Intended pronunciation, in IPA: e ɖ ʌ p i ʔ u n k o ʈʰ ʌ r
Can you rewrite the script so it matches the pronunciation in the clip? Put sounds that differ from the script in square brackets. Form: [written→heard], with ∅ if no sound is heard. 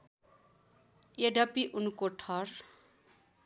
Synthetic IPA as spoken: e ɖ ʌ p i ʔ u n k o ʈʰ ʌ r